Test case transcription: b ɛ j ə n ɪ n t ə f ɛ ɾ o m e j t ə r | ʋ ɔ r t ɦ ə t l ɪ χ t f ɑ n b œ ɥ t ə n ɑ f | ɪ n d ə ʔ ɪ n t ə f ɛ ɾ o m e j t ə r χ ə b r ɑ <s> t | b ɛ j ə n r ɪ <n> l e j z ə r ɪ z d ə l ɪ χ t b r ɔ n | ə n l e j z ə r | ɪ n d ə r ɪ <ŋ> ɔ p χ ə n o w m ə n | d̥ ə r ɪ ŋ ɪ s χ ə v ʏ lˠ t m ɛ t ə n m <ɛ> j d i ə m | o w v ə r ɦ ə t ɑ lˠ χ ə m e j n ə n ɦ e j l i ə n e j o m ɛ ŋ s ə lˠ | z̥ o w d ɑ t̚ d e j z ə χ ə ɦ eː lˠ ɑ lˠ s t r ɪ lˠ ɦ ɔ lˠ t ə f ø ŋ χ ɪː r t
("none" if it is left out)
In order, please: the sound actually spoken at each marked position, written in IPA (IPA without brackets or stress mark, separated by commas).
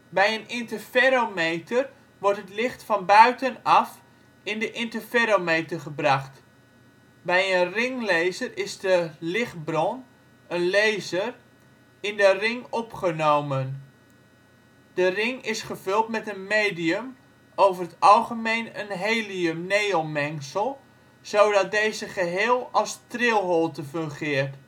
χ, ŋ, ŋ, e